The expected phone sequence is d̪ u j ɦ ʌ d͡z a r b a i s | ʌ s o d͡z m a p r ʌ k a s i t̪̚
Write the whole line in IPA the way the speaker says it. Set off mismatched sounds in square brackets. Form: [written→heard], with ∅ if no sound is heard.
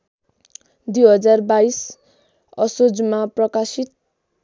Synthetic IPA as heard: d̪ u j ɦ ʌ d͡z a r b a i s | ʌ s o d͡z m a p r ʌ k a s i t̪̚